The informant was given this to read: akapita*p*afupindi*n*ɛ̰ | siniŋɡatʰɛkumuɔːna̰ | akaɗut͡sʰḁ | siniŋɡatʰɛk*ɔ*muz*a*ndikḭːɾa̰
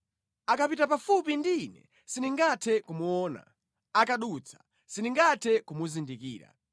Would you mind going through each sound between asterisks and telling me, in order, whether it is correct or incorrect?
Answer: correct, correct, incorrect, incorrect

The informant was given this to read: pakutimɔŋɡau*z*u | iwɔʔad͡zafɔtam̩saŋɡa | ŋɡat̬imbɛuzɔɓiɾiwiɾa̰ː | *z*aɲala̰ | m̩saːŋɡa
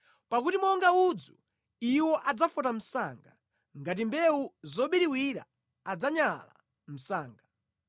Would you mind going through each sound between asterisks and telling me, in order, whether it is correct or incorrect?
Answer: incorrect, incorrect

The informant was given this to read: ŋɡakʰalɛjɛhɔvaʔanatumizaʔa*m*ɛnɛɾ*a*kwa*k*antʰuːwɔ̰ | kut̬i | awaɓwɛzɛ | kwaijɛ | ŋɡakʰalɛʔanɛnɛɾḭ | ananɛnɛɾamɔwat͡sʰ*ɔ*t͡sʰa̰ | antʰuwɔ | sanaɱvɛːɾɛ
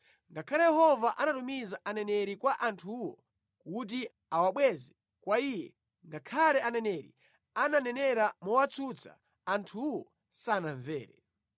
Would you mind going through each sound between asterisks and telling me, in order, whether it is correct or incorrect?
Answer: incorrect, incorrect, incorrect, incorrect

